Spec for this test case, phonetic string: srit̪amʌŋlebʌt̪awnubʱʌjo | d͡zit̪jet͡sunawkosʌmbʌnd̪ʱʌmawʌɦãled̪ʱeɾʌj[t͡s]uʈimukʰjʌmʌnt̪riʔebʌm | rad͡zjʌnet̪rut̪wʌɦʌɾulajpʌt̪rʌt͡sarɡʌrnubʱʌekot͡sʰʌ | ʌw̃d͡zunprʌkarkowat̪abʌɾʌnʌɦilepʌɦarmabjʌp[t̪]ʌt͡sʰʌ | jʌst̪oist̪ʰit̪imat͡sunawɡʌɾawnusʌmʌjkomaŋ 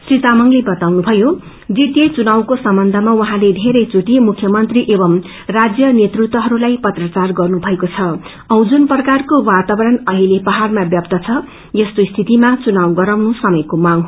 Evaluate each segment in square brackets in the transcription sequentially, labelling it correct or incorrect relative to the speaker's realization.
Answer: correct, correct

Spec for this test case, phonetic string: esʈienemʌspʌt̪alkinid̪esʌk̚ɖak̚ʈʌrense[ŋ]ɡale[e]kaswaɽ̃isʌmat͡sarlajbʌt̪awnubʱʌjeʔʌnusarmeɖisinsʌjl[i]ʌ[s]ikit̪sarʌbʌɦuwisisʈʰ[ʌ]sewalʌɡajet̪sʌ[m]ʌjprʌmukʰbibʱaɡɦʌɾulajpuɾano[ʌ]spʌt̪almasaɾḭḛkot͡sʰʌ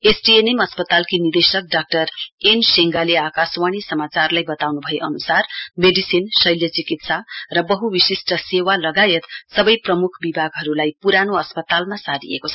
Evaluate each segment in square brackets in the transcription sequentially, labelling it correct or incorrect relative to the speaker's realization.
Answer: correct, incorrect: a, incorrect: j, incorrect: t͡s, correct, incorrect: b, correct

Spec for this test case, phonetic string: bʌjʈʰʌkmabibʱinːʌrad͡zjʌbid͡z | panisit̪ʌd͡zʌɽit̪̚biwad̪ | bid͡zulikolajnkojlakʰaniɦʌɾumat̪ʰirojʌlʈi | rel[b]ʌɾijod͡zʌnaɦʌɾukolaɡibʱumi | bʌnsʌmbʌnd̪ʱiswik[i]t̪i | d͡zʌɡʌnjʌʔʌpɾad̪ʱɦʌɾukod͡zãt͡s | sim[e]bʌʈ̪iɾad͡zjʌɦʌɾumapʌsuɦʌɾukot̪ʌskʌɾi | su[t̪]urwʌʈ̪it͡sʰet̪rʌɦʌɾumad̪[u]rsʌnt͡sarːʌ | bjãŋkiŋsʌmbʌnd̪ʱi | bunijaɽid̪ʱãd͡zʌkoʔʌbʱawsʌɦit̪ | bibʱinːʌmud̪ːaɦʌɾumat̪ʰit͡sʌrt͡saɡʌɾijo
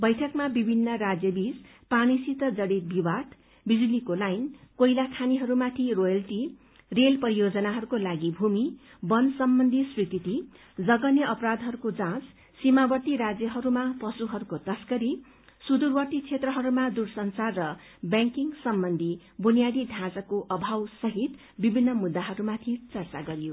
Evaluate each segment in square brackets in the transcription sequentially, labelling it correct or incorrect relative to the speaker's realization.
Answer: incorrect: p, correct, incorrect: a, incorrect: d̪, correct

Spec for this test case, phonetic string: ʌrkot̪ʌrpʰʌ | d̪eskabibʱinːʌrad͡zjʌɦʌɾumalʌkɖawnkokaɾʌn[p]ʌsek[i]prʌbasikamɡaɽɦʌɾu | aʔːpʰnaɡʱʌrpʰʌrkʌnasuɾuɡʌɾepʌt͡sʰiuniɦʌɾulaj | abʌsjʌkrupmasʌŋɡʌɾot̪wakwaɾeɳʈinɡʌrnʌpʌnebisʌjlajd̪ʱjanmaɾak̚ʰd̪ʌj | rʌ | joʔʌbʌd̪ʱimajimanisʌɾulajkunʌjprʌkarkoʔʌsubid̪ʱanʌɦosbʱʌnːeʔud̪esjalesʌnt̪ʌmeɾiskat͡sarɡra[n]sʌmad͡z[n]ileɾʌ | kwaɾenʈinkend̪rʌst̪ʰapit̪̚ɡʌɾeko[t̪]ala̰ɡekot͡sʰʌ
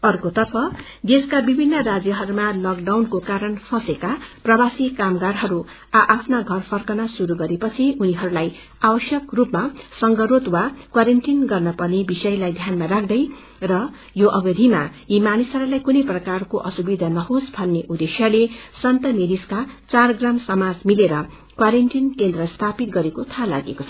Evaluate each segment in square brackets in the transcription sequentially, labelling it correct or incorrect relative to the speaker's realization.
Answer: incorrect: pʰ, incorrect: a, incorrect: m, incorrect: m, incorrect: t̪ʰ

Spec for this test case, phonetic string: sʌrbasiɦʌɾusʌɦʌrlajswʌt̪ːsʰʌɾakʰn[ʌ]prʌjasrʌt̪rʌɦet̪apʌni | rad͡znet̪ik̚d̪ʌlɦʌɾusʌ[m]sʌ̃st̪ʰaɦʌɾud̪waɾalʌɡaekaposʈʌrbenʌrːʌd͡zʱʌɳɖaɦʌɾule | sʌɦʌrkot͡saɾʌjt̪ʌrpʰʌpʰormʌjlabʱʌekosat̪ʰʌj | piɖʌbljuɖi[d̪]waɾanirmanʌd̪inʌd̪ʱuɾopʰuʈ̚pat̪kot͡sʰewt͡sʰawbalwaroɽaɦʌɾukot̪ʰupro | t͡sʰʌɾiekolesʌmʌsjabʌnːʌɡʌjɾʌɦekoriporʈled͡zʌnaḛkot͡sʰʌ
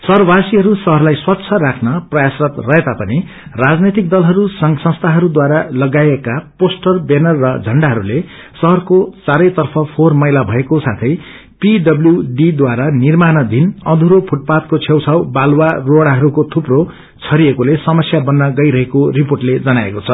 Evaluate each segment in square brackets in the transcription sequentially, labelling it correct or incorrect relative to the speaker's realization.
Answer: correct, incorrect: ŋ, correct

